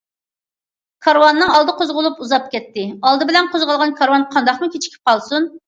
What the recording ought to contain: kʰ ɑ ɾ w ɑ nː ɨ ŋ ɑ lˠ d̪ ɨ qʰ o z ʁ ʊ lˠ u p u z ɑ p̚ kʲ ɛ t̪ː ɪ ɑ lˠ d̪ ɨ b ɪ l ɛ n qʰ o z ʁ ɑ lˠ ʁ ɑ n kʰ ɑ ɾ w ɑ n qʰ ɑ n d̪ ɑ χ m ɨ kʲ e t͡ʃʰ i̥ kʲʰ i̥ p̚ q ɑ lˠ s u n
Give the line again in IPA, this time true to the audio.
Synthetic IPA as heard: kʰ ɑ ɾ w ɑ nː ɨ ŋ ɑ lˠ d̪ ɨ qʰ o z ʁ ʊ lˠ u p u z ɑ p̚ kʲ ɛ t̪ː ɪ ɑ lˠ d̪ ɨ b ɪ l ɛ n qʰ o z ʁ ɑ lˠ ʁ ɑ n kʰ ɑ ɾ w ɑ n qʰ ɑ n d̪ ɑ χ m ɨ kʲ e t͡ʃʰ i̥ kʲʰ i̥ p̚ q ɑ lˠ s u n